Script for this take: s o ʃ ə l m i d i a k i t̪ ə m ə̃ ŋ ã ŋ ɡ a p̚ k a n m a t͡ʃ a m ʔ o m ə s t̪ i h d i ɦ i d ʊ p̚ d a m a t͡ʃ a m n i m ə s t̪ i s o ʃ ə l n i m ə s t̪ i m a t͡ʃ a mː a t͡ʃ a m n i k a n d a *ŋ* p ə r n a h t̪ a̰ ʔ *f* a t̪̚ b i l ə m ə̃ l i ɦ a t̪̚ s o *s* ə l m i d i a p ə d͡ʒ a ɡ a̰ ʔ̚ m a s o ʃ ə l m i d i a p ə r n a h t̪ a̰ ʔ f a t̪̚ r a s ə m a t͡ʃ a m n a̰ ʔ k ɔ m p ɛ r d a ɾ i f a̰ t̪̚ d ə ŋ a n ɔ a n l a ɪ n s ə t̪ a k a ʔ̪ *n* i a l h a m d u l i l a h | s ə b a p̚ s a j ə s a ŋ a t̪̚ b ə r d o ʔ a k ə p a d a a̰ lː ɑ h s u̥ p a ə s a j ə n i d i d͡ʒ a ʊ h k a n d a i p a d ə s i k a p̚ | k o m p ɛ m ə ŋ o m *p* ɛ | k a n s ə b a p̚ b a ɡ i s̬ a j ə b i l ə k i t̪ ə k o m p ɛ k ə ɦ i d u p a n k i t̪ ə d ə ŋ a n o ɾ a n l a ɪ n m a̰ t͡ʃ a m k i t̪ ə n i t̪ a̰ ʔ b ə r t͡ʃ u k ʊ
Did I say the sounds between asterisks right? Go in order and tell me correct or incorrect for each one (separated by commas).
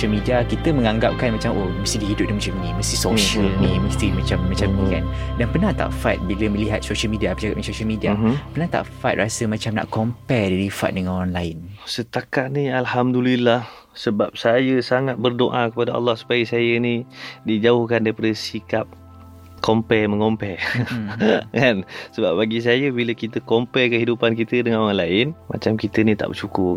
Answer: incorrect, correct, incorrect, correct, correct